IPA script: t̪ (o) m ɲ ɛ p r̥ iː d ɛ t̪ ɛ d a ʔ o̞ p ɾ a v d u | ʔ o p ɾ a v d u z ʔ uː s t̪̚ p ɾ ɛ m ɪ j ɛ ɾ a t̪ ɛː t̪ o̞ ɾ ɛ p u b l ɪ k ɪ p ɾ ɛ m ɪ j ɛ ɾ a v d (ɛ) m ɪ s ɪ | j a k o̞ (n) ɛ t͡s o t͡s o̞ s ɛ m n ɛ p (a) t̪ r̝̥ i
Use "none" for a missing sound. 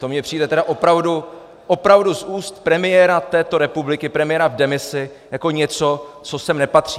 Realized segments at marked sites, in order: o, ɛ, ɲ, a

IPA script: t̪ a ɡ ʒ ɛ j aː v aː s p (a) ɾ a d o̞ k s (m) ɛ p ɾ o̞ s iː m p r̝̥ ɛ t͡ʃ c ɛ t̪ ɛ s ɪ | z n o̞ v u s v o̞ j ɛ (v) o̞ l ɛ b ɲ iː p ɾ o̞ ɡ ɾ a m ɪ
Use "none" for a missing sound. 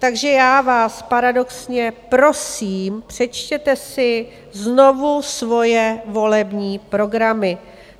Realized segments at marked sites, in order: a, ɲ, v

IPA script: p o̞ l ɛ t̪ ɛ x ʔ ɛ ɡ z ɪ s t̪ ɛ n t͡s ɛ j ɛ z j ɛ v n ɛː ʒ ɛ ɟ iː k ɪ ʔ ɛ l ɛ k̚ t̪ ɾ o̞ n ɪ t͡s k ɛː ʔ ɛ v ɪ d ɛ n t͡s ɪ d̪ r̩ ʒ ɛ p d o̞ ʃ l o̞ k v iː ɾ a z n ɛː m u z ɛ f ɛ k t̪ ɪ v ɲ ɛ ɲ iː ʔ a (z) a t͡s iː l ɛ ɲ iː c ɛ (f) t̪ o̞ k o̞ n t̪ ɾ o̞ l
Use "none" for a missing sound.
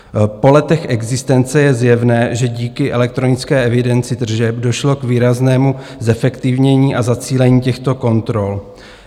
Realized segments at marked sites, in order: z, x

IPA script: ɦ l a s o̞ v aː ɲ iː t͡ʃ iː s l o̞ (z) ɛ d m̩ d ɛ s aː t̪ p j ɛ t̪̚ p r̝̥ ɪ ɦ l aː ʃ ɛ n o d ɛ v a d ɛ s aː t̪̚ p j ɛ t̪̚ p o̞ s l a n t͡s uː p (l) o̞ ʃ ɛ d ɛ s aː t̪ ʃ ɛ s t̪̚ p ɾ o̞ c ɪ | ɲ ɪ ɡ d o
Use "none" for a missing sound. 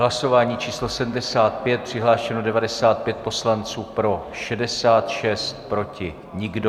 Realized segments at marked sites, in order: s, ɾ

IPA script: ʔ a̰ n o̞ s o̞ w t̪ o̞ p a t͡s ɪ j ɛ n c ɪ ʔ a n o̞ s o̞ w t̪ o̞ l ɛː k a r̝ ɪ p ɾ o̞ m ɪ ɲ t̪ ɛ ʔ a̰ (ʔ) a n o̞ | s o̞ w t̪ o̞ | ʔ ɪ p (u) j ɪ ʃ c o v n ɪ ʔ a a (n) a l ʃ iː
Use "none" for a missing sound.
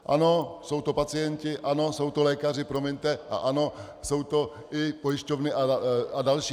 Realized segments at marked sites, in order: ʔ, o, d

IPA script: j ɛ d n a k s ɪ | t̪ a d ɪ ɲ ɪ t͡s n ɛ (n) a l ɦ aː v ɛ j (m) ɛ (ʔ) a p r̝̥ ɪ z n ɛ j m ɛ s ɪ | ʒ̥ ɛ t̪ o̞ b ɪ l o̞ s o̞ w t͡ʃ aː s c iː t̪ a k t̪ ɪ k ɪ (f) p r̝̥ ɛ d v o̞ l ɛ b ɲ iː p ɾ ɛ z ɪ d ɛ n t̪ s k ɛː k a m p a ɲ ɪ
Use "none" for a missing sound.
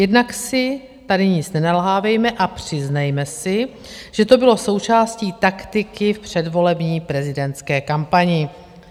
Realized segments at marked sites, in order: n, m, ʔ, f

